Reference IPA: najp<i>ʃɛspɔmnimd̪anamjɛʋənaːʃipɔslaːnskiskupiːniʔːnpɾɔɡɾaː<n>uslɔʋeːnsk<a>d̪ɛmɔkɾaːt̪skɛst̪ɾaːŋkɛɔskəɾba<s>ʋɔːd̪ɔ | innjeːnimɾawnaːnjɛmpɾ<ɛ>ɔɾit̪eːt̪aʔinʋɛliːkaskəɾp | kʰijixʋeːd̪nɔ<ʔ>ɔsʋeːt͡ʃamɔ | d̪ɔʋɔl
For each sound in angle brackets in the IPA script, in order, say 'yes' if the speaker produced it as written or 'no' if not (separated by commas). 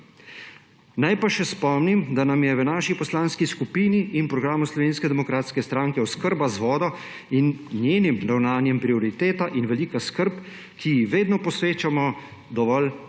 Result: no, no, no, no, no, no